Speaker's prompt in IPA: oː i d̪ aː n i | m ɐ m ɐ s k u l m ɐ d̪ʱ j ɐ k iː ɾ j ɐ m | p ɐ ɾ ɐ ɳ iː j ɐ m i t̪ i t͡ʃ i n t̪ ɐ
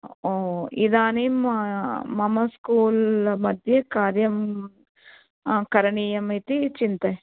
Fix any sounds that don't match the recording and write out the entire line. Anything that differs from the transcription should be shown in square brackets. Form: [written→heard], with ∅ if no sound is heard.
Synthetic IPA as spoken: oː i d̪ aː n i | m ɐ m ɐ s k [u→uː] l m ɐ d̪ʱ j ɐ k [iː→aː] ɾ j ɐ m | [p→k] ɐ ɾ ɐ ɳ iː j ɐ m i t̪ i t͡ʃ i n t̪ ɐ